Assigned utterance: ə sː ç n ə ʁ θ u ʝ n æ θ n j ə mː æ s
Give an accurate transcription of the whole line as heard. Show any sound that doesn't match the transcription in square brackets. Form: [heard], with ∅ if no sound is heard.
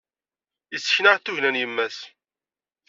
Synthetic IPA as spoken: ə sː ç n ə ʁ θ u ʝ n æ [∅] n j ə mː æ s